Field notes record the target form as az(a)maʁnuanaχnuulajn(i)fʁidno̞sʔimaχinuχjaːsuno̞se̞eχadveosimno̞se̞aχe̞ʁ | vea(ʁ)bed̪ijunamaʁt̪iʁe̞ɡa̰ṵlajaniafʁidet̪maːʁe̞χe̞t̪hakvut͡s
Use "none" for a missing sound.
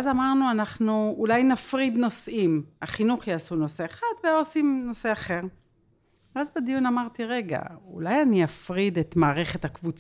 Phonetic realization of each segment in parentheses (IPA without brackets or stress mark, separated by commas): a, a, z